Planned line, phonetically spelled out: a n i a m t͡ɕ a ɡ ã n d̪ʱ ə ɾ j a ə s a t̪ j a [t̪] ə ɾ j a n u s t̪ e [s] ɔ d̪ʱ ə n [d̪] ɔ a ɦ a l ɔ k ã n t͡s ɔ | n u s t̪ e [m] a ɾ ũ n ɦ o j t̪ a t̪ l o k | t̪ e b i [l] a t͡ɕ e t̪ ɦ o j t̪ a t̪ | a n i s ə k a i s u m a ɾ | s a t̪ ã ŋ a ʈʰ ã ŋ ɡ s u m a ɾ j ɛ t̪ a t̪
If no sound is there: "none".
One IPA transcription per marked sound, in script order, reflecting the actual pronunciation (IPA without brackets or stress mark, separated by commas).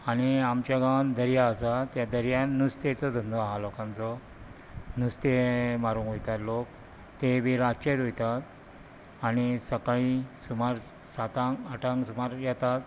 d̪, t͡s, d̪, m, ɾ